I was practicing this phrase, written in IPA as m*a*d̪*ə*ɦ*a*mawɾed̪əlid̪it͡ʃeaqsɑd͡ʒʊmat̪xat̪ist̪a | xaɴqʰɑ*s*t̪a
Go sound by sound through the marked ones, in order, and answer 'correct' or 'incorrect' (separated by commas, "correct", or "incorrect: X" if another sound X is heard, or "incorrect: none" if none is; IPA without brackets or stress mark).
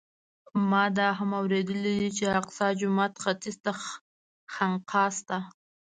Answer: incorrect: ɑ, incorrect: ɑ, correct, correct